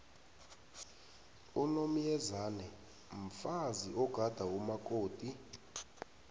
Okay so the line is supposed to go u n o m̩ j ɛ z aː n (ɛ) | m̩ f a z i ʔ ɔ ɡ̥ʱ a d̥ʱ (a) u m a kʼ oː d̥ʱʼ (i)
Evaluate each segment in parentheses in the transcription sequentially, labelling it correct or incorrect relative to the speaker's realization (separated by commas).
correct, correct, correct